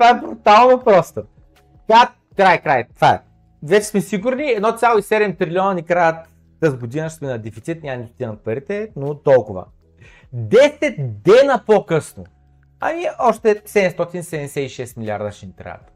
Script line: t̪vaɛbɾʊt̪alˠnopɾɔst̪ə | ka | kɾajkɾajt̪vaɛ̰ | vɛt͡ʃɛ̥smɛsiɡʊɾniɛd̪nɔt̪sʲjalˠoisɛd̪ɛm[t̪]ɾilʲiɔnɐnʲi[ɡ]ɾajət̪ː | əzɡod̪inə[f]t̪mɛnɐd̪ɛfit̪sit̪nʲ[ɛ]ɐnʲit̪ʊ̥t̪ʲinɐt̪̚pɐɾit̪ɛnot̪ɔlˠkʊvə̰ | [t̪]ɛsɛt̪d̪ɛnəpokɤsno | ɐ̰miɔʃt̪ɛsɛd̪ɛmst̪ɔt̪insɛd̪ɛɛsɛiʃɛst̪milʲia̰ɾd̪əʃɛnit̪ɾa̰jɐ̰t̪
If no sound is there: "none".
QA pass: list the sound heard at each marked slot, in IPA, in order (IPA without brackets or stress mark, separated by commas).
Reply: t̪, k, ʃ, a, d̪